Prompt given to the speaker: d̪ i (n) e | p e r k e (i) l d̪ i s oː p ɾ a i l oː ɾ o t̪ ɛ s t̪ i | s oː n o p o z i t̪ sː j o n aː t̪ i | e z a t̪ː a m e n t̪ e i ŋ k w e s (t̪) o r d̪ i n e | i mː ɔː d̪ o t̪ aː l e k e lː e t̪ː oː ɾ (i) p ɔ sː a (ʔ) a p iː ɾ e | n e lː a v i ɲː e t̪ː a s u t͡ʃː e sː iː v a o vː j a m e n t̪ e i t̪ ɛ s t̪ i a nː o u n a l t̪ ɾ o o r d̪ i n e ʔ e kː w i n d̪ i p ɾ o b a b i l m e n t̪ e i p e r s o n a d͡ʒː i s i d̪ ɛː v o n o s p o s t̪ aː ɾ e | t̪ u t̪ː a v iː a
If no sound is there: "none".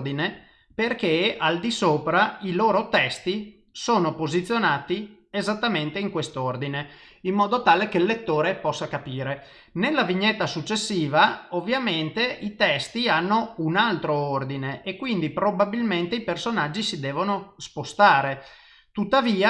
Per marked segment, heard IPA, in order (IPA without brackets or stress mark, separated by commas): n, a, t̪, e, k